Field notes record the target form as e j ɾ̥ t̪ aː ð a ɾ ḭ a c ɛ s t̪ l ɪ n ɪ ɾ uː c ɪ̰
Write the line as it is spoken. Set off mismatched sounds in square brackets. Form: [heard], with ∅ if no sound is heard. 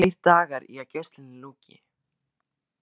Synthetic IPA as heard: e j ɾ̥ t̪ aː [ɣ] a ɾ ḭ a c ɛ s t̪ l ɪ n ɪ [l] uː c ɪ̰